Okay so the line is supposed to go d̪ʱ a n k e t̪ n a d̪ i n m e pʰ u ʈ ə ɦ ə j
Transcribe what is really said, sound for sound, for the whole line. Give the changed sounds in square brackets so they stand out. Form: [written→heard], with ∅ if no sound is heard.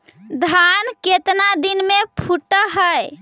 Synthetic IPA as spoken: d̪ʱ a n k e t̪ n a d̪ i n m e pʰ u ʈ ə ɦ ə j